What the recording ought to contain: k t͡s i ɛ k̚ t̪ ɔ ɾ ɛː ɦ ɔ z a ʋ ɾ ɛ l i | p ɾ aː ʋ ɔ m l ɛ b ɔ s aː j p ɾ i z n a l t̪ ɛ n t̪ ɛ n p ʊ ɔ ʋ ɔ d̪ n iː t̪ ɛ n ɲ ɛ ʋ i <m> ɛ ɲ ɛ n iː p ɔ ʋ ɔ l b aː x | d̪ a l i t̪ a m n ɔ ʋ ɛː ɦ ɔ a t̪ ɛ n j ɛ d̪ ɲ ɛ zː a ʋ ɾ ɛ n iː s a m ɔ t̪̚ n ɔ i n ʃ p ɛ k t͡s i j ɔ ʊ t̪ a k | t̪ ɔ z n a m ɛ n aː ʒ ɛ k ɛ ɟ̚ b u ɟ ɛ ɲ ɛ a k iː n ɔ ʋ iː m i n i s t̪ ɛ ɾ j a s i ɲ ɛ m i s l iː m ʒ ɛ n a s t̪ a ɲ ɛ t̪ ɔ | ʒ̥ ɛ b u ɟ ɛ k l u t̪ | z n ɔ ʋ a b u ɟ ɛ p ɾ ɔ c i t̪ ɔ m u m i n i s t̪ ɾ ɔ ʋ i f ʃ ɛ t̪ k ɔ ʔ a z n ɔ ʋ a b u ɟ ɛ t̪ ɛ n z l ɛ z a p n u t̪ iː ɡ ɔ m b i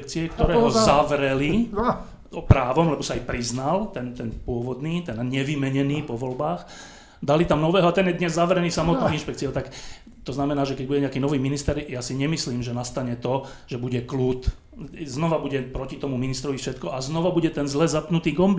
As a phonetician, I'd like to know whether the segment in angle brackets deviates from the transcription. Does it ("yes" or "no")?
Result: no